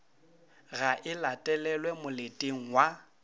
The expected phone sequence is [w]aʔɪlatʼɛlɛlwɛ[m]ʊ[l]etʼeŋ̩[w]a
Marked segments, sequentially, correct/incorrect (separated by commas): incorrect, correct, correct, correct